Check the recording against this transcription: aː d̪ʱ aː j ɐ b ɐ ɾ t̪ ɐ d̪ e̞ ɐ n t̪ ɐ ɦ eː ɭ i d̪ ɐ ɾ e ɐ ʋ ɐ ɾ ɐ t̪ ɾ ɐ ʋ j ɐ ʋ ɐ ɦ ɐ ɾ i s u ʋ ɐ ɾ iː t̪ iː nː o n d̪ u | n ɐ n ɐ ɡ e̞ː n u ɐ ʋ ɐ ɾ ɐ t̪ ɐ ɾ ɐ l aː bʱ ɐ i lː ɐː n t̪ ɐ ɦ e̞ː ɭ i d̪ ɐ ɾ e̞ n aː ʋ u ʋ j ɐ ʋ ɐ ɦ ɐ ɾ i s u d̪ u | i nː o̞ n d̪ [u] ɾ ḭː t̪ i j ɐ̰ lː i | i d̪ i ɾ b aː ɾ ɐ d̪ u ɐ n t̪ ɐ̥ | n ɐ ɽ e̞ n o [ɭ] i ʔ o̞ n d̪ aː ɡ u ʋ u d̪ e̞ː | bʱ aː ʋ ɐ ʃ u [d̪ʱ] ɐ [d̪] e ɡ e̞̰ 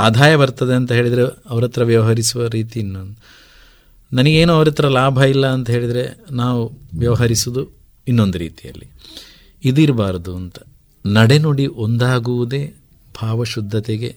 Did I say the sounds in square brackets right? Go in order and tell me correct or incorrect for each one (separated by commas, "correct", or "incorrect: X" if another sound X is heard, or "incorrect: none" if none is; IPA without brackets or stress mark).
correct, incorrect: ɽ, incorrect: d̪ʱː, incorrect: t̪